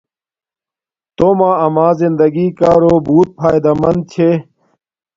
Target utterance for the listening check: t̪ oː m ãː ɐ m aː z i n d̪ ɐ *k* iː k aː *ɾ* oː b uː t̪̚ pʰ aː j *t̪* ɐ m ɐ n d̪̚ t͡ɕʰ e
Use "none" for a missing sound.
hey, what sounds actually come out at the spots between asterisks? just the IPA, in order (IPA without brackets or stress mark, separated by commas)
ɡ, ɾ, d̪